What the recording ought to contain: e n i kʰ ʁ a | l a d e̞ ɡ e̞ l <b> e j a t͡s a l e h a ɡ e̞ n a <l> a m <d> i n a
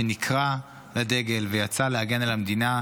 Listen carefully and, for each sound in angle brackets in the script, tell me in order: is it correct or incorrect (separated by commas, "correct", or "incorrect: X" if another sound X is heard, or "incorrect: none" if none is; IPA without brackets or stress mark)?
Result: incorrect: v, correct, correct